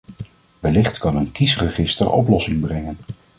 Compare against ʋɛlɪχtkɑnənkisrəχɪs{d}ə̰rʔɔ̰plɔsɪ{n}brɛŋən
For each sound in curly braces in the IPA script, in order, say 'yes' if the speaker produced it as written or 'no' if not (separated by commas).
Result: no, no